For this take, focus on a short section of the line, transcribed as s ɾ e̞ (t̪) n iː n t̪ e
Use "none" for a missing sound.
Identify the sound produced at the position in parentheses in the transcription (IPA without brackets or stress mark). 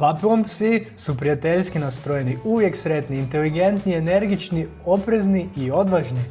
t̪